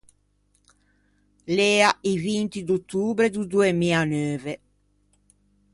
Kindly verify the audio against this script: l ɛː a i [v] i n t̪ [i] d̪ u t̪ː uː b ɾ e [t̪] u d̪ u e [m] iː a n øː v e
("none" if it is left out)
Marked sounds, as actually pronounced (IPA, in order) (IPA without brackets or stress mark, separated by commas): v, i, d̪, m